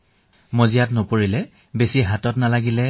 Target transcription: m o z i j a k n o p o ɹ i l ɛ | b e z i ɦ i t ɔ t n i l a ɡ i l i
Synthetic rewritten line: m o z i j a t n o p o ɹ i l ɛ | b e s i ɦ a t ɔ t n a l a ɡ i l ɛ